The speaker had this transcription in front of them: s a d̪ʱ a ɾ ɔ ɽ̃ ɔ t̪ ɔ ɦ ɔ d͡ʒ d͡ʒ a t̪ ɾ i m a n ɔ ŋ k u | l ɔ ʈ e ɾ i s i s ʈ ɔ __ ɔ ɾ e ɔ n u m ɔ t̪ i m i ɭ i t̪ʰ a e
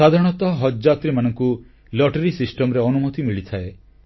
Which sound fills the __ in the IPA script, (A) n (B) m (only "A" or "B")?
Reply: B